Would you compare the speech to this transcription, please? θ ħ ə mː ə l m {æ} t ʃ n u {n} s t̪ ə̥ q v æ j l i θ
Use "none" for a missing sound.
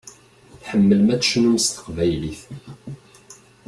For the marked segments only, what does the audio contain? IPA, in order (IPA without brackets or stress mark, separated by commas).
æ, m